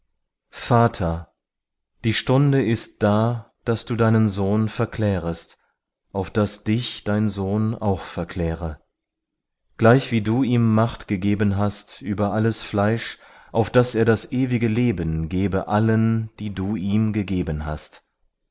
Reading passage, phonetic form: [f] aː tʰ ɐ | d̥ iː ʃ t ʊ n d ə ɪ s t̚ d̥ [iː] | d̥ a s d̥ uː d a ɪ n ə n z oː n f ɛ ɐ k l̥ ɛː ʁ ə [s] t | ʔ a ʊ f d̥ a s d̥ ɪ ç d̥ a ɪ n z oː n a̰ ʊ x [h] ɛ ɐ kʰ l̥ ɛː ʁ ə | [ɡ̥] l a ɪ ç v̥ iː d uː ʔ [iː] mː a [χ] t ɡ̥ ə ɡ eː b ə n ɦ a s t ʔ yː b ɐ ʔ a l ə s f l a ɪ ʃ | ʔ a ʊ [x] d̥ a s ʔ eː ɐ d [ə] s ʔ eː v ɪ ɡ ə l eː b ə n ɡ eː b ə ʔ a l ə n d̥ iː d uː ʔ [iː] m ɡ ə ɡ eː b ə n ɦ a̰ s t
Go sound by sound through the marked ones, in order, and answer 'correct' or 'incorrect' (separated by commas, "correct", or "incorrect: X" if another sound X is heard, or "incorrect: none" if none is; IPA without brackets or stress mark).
correct, incorrect: aː, correct, incorrect: f, correct, correct, correct, incorrect: f, incorrect: a, correct